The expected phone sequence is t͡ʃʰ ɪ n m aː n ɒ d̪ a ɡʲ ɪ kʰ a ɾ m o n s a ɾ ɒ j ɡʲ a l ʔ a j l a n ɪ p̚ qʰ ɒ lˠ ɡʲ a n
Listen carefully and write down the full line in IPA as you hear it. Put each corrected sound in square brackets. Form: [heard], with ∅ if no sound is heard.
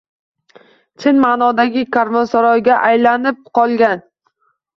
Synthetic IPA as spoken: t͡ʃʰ ɪ n m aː n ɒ d̪ a ɡʲ ɪ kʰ a ɾ m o n s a ɾ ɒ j ɡʲ a [∅] ʔ a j l a n ɪ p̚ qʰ ɒ lˠ ɡʲ a n

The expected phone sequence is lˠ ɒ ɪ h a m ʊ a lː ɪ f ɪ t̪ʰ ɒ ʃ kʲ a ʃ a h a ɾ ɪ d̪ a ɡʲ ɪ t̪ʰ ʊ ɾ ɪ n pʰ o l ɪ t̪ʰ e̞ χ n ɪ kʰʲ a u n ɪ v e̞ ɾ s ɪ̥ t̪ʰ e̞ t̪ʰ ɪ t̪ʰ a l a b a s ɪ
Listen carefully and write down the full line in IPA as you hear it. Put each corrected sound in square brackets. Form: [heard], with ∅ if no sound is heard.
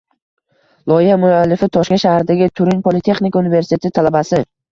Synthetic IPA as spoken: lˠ ɒ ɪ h a m ʊ a lː ɪ f ɪ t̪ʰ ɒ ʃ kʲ a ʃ a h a ɾ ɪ d̪ a ɡʲ ɪ t̪ʰ ʊ ɾ ɪ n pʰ o l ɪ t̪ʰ e̞ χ n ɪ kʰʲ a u n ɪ v e̞ ɾ s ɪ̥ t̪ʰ e̞ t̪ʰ ɪ t̪ʰ a l a b a s ɪ

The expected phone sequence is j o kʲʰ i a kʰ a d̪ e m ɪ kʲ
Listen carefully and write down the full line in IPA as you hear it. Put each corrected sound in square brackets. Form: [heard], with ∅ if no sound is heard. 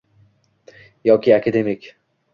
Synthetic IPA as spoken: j [ɒ] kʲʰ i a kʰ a d̪ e m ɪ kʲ

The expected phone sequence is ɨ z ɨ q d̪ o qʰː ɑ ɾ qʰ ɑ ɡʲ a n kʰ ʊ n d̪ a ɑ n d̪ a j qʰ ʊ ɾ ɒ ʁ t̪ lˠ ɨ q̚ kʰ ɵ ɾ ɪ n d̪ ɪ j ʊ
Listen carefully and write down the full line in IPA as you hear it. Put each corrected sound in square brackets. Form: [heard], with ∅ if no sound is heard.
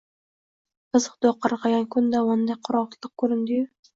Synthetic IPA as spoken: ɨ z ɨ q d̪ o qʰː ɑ ɾ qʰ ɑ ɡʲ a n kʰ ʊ n d̪ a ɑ n d̪ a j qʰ ʊ ɾ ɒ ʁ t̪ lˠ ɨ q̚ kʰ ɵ ɾ ɪ n d̪ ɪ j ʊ

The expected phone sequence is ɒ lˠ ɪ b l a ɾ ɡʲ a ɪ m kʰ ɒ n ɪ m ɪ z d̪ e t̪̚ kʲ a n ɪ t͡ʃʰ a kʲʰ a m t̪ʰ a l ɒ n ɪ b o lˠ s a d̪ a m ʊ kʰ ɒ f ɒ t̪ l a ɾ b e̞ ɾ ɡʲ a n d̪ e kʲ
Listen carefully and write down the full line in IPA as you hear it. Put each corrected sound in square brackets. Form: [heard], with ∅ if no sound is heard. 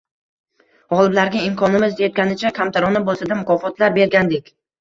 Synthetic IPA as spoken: ɒ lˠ ɪ b l a ɾ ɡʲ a ɪ m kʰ ɒ n ɪ m ɪ z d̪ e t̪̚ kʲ a n ɪ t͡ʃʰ a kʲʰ a m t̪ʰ a [ɾ] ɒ n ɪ b o lˠ s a d̪ a m ʊ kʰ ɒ f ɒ t̪ l a ɾ b e̞ ɾ ɡʲ a n d̪ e kʲ

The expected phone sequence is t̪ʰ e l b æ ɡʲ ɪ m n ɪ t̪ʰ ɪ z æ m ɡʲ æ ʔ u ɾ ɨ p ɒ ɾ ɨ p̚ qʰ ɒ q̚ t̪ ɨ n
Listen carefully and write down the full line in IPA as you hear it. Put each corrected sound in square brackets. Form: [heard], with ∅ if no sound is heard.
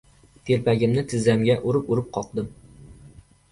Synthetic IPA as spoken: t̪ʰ e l [p] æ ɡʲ ɪ m n ɪ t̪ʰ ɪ z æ m ɡʲ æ ʔ u ɾ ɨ p [u] ɾ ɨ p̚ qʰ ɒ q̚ [d̪] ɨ [m]

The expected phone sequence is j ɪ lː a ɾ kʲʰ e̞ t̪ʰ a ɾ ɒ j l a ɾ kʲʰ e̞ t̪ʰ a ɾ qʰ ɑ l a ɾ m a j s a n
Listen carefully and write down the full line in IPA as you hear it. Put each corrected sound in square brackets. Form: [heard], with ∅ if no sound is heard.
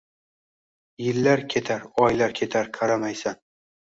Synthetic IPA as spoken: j ɪ lː a ɾ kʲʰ e̞ t̪ʰ a ɾ ɒ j l a ɾ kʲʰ e̞ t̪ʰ a ɾ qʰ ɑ [ɾ] a [∅] m a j s a n

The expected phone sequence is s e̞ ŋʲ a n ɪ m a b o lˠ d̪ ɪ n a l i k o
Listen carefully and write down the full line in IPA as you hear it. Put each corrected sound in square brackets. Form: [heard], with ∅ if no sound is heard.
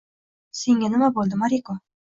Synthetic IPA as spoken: s e̞ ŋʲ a n ɪ m a b o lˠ d̪ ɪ [m] a [ɾ] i k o

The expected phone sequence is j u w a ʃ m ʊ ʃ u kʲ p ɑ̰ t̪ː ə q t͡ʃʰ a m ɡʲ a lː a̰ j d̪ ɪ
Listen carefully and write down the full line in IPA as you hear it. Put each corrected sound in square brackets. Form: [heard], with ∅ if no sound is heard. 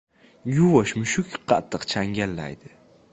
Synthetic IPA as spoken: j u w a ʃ m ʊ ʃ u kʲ [q] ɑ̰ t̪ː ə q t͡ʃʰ a [ŋ] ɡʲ a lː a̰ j d̪ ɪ

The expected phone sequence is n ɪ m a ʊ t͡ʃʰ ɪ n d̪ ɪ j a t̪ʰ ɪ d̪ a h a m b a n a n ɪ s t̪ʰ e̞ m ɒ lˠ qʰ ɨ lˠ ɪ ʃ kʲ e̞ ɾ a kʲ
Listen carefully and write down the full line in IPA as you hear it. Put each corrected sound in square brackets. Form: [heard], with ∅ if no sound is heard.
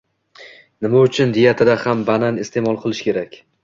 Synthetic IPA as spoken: n ɪ m a ʊ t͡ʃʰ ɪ n d̪ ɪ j a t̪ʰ ɪ d̪ a h a m b a n a n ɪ s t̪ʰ e̞ m ɒ lˠ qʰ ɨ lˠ ɪ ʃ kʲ e̞ ɾ a kʲ

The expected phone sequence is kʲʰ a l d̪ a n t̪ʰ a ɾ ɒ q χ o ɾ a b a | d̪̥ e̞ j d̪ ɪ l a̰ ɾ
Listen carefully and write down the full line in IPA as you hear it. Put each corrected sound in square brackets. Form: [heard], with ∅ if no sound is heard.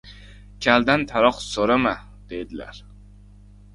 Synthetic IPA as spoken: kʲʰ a l d̪ a n t̪ʰ a ɾ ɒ q [s] o ɾ a [m] a | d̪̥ e̞ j d̪ ɪ l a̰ ɾ

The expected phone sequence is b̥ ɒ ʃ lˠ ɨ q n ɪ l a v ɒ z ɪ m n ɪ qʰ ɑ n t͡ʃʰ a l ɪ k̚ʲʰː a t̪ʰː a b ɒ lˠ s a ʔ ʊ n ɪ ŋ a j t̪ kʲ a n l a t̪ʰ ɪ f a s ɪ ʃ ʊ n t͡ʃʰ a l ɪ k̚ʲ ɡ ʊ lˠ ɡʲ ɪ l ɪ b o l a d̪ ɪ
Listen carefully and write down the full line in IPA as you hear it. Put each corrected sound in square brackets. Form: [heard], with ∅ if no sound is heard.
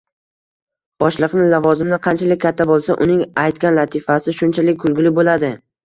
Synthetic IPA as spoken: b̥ ɒ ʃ lˠ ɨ q n ɪ l a v ɒ z ɪ m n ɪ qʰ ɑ n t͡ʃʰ a l ɪ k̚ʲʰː a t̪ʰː a b [o] lˠ s a ʔ ʊ n ɪ ŋ a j t̪ kʲ a n l a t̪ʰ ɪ f a s ɪ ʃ ʊ n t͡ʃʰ a l ɪ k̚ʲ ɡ ʊ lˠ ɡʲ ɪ l ɪ b o l a d̪ ɪ

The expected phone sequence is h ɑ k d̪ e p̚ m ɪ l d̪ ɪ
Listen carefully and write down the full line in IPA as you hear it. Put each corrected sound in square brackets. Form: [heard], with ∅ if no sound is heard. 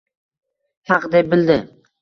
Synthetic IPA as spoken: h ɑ [q] d̪ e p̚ [b] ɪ l d̪ ɪ

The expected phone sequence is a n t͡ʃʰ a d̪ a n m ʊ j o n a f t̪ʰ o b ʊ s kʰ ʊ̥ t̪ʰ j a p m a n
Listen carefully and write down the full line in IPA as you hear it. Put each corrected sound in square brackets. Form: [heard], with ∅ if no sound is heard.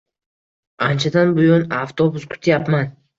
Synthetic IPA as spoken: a n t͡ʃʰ a d̪ a n [b] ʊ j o n a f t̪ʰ o b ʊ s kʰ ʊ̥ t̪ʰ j a p m a n

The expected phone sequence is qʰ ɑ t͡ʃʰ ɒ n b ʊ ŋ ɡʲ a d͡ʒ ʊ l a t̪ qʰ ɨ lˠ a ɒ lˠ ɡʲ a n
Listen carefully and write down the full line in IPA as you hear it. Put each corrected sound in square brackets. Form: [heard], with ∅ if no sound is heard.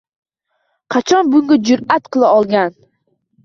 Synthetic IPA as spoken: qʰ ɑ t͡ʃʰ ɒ n b ʊ ŋ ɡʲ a d͡ʒ ʊ [ɾ] a t̪ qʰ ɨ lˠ a ɒ lˠ ɡʲ a n

